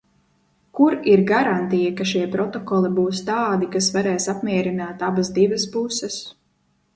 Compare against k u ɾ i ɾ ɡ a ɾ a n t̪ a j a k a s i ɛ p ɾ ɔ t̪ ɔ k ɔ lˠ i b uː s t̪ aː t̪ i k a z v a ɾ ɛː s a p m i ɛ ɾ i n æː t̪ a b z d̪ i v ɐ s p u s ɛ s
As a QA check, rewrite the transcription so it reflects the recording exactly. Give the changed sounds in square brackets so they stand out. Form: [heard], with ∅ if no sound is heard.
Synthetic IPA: k u ɾ i ɾ ɡ a ɾ a n t̪ [i] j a k a [ʃ] i ɛ p ɾ ɔ t̪ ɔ k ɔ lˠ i b uː s t̪ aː [d̪] i k a [s] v a ɾ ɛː s a p m i ɛ ɾ i n [aː] t̪ a b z d̪ i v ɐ s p u s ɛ s